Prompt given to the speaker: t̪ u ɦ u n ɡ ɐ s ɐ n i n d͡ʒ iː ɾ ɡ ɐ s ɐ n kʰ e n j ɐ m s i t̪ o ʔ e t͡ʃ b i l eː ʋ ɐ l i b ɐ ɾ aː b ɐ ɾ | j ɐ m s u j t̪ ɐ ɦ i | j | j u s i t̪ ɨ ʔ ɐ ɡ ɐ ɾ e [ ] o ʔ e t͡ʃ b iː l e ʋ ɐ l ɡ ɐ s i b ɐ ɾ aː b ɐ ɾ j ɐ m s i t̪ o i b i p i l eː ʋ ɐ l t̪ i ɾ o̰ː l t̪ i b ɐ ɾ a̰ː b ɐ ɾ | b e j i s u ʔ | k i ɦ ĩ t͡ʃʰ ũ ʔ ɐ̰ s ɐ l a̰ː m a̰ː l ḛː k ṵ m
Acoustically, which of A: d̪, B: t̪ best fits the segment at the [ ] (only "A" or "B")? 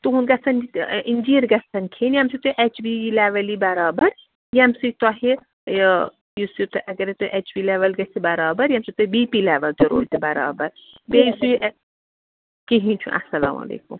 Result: B